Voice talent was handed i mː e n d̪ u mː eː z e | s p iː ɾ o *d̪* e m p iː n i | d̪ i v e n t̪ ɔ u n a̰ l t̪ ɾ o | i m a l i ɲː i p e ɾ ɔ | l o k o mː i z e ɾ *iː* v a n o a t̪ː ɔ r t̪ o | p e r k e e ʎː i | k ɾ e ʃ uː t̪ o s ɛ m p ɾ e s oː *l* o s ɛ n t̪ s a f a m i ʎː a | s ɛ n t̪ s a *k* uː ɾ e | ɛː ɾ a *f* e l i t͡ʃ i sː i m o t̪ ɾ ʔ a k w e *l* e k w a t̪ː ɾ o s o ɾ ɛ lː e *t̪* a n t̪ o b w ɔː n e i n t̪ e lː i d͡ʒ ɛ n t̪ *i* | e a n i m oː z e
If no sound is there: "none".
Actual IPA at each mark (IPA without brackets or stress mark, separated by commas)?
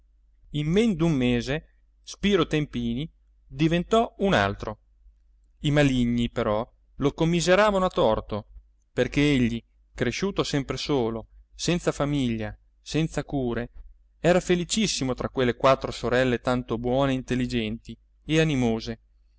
t̪, aː, l, k, f, lː, t̪, i